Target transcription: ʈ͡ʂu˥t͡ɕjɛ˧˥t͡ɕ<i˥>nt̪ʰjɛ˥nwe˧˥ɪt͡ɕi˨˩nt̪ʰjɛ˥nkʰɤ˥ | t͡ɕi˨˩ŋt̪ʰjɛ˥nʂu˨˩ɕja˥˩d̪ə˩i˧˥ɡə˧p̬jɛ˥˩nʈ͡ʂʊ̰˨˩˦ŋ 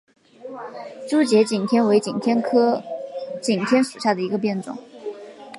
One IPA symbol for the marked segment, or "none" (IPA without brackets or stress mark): i˨˩